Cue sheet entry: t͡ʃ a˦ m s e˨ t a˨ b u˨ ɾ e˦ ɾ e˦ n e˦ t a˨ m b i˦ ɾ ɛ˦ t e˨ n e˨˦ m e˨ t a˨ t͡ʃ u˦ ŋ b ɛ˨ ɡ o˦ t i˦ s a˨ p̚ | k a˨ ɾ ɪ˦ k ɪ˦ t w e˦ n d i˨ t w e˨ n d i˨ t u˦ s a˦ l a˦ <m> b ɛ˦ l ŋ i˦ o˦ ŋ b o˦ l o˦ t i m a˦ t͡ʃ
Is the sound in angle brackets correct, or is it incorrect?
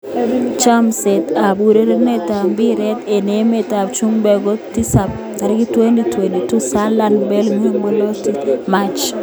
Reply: incorrect: n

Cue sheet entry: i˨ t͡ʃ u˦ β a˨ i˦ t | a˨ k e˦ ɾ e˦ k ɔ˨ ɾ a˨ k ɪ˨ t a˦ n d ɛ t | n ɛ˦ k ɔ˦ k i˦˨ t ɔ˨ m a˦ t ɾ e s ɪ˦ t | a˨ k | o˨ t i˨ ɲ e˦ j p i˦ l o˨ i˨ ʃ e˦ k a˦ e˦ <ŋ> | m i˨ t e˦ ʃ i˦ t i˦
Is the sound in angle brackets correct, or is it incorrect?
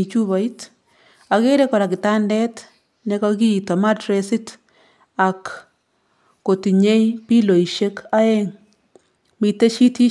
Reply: correct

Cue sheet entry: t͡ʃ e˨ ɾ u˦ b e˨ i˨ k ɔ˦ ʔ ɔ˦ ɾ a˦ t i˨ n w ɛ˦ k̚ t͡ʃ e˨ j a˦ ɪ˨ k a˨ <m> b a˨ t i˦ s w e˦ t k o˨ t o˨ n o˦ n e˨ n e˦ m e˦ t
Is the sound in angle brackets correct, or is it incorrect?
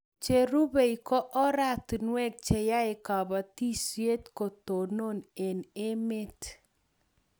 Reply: incorrect: none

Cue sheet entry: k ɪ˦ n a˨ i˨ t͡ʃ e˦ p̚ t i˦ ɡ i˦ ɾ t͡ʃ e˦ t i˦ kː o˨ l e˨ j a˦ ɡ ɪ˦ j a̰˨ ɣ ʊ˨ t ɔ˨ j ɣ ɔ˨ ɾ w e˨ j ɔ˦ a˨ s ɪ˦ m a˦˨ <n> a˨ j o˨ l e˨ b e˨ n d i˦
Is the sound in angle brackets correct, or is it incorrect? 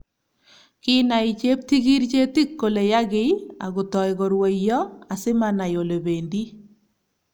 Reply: correct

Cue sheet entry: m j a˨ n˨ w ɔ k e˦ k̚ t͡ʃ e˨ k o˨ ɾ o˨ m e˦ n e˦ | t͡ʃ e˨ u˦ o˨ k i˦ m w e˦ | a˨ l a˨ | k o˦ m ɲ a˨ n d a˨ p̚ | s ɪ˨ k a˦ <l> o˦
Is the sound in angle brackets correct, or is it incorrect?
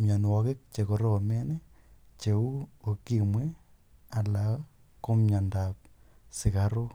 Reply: incorrect: ɾ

